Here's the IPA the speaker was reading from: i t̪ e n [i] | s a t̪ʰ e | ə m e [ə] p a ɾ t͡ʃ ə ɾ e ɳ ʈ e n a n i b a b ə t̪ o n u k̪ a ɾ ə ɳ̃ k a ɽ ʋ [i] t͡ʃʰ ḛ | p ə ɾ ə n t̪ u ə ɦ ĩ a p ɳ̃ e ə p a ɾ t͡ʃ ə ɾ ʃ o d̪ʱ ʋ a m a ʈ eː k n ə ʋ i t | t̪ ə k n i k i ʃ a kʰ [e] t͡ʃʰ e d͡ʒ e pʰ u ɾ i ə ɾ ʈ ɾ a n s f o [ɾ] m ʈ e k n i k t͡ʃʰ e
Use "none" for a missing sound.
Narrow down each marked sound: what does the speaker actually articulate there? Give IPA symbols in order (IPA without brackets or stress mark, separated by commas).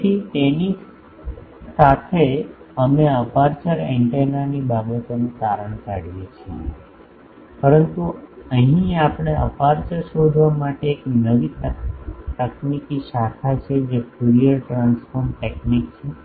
i, ə, i, a, ɾ